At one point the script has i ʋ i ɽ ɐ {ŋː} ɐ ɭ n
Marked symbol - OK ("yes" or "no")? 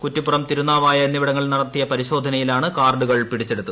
yes